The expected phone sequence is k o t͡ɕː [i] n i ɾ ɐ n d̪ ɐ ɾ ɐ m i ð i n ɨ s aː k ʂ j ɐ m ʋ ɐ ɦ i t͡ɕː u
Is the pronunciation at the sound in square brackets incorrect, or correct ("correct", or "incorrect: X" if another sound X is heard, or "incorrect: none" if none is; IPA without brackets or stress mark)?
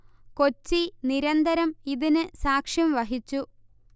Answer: correct